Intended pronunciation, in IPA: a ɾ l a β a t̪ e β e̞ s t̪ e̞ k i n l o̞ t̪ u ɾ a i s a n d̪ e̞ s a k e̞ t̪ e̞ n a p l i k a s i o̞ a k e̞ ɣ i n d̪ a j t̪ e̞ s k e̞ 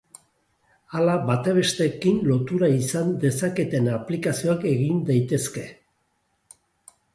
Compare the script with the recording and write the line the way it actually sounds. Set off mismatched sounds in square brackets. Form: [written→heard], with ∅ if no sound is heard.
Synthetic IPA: a [ɾ→∅] l a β a t̪ e β e̞ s t̪ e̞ k i n l o̞ t̪ u ɾ a i s a n d̪ e̞ s a k e̞ t̪ e̞ n a p l i k a s i o̞ a k e̞ ɣ i n d̪ a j t̪ e̞ s k e̞